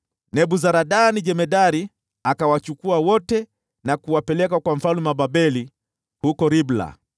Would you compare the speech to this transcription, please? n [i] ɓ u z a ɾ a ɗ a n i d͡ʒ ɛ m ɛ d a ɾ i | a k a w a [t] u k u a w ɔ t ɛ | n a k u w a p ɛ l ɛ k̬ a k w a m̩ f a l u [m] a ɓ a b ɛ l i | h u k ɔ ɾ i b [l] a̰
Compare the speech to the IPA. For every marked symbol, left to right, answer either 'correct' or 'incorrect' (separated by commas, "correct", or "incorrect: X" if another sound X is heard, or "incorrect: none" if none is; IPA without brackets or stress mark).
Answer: incorrect: ɛ, incorrect: t͡ʃ, correct, correct